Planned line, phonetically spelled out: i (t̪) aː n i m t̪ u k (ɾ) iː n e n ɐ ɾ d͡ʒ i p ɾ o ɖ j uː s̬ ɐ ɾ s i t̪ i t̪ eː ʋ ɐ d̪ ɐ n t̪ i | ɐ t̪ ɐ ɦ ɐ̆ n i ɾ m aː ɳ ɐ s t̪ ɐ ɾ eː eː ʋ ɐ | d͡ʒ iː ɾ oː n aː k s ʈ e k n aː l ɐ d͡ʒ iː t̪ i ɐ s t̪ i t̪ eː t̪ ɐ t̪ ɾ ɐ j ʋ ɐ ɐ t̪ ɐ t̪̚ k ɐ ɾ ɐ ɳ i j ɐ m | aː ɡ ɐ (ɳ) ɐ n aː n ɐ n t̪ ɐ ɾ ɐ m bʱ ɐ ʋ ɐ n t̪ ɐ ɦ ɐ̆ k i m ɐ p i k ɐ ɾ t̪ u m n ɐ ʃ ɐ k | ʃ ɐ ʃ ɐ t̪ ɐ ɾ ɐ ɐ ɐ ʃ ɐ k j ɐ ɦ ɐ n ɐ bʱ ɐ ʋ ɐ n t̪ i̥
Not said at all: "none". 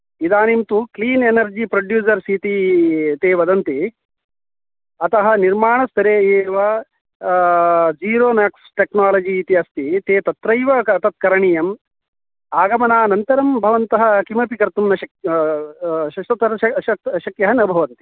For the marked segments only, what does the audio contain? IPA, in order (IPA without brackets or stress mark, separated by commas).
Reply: d̪, l, m